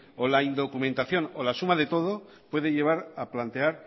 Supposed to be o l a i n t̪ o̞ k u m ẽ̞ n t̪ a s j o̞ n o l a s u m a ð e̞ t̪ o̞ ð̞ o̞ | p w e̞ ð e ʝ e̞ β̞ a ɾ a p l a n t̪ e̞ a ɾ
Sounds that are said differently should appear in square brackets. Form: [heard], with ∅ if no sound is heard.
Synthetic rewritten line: o l a i n [d̪] o̞ k u m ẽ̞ n t̪ a [θ] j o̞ n o l a s u m a ð e̞ t̪ o̞ ð̞ o̞ | p w e̞ ð e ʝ e̞ β̞ a ɾ a p l a n t̪ e̞ a ɾ

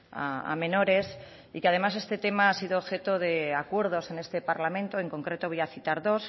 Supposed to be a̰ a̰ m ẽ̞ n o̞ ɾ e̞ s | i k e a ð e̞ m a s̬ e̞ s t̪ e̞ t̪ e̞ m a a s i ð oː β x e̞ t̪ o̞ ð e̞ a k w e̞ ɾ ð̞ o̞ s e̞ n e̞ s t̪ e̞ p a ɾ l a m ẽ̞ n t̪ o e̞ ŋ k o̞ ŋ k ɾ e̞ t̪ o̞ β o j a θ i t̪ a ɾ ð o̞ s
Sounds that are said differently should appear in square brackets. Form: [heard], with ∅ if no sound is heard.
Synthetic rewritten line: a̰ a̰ m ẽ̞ n o̞ ɾ e̞ s | i k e a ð e̞ m a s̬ e̞ s t̪ e̞ t̪ e̞ m a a s i ð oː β x e̞ t̪ o̞ ð e̞ a k w e̞ ɾ ð̞ o̞ s e̞ n e̞ s t̪ e̞ p a ɾ l a m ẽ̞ n t̪ o e̞ ŋ k o̞ ŋ k ɾ e̞ t̪ o̞ β o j a θ i t̪ a ɾ ð o̞ s

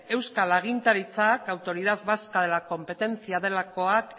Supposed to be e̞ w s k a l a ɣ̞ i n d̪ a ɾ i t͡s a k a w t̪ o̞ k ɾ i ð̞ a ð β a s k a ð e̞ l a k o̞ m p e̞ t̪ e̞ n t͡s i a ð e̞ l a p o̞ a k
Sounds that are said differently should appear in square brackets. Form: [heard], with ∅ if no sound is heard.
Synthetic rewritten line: e̞ w s k a l a ɣ̞ i n [t̪] a ɾ i t͡s a k a w t̪ o̞ [∅] ɾ i ð̞ a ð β a s k a ð e̞ l a k o̞ m p e̞ t̪ e̞ n t͡s i a ð e̞ l a [k] o̞ a k

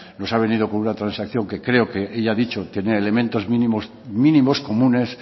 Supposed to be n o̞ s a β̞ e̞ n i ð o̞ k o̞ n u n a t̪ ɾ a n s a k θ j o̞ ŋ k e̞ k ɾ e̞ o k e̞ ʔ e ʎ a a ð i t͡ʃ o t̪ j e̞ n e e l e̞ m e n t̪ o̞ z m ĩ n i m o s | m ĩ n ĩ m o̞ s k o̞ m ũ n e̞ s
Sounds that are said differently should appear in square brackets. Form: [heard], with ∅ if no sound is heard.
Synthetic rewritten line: n o̞ s a β̞ e̞ n i ð o̞ k o̞ n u n a t̪ ɾ a n s a k θ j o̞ ŋ k e̞ k ɾ e̞ o k e̞ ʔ e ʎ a a ð i t͡ʃ o t̪ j e̞ n e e l e̞ m [ẽ] n t̪ o̞ z m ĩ n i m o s | m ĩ n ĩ m o̞ s k o̞ m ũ n e̞ s

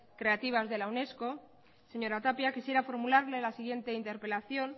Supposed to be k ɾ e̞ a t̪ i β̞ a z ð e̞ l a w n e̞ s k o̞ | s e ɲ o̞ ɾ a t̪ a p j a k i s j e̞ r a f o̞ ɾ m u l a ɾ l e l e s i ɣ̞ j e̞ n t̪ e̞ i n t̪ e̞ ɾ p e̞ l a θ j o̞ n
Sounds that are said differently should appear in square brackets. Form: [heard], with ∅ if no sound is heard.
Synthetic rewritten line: k ɾ e̞ a t̪ i β̞ a z ð e̞ l a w n e̞ s k o̞ | s e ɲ o̞ ɾ a t̪ a p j a k i s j e̞ [ɾ] a f o̞ ɾ m u l a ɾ l e l [a] s i ɣ̞ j e̞ n t̪ e̞ i n t̪ e̞ ɾ p e̞ l a θ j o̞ n

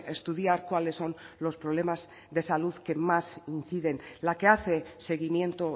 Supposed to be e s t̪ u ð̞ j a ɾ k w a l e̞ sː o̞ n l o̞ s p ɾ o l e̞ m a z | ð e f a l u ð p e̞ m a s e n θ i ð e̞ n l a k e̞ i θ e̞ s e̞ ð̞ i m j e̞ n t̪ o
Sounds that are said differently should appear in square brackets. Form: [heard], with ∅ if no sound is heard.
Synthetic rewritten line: e s t̪ u ð̞ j a ɾ k w a l e̞ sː o̞ n l o̞ s p ɾ o l e̞ m a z | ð e [s] a l u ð [k] e̞ m a s [i] n θ i ð e̞ n l a k e̞ [a] θ e̞ s e̞ [ɣ̞] i m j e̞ n t̪ o

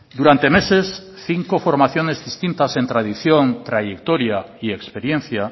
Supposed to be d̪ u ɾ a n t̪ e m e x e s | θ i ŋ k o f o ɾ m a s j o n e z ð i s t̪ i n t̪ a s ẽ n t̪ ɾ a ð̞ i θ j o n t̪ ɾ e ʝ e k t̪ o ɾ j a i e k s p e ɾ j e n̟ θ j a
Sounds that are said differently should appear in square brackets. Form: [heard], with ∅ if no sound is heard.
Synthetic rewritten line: d̪ u ɾ a n t̪ e m e [s] e s | θ i ŋ k o f o ɾ m a [θ] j o n e z ð i s t̪ i n t̪ a s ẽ n t̪ ɾ a ð̞ i θ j o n t̪ ɾ [a] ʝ e k t̪ o ɾ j a i e k s p e ɾ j e n̟ θ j a

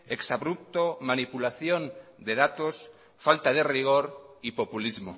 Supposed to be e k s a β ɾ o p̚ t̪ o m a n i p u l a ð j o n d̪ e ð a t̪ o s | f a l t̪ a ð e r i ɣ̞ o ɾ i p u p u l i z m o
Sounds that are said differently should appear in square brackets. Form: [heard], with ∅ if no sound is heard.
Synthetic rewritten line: e k s a β ɾ [u] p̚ t̪ o m a n i p u l a [θ] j o n d̪ e ð a t̪ o s | f a l t̪ a ð e r i ɣ̞ o ɾ i p [o] p u l i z m o

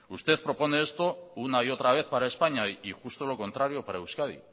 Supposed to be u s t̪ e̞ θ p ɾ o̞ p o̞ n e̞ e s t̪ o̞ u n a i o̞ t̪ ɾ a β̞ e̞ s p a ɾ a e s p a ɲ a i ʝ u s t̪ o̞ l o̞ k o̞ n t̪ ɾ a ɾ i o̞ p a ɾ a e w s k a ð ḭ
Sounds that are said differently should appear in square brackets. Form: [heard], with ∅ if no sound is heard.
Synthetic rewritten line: u s t̪ e̞ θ p ɾ o̞ p o̞ n e̞ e s t̪ o̞ u n a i o̞ t̪ ɾ a β̞ e̞ [θ] p a ɾ a e s p a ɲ a i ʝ u s t̪ o̞ l o̞ k o̞ n t̪ ɾ a ɾ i o̞ p a ɾ a e w s k a ð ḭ

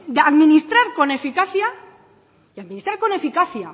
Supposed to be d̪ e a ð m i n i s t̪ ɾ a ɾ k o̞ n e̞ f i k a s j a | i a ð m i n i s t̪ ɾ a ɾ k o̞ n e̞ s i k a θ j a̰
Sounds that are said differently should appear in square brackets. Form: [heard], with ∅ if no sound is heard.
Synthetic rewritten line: d̪ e a ð m i n i s t̪ ɾ a ɾ k o̞ n e̞ f i k a [θ] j a | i a ð m i n i s t̪ ɾ a ɾ k o̞ n e̞ [f] i k a θ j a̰

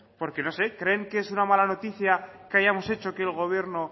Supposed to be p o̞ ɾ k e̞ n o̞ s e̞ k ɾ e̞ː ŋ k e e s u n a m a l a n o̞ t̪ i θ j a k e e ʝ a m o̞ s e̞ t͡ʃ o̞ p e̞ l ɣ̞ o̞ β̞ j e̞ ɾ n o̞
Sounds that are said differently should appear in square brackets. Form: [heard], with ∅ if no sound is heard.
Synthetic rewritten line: p o̞ ɾ k e̞ n o̞ s e̞ k ɾ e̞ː ŋ k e e s u n a m a l a n o̞ t̪ i θ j a k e [a] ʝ a m o̞ s e̞ t͡ʃ o̞ [k] e̞ l ɣ̞ o̞ β̞ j e̞ ɾ n o̞

